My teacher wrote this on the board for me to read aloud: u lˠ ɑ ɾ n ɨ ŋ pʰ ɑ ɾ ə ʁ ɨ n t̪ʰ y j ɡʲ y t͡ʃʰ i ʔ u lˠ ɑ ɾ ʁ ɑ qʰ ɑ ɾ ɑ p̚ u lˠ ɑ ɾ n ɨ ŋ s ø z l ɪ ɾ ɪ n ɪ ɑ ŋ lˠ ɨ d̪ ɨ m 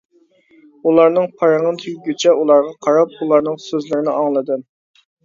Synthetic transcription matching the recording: u lˠ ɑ ɾ n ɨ ŋ pʰ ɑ ɾ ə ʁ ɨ n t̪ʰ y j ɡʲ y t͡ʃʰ ɛ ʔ u lˠ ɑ ɾ ʁ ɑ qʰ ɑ ɾ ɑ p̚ u lˠ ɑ ɾ n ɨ ŋ s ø z l ɪ ɾ ɪ n ɪ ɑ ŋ lˠ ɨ d̪ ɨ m